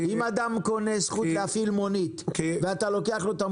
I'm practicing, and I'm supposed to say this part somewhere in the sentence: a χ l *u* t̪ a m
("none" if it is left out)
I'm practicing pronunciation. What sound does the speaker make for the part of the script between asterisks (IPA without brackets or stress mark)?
o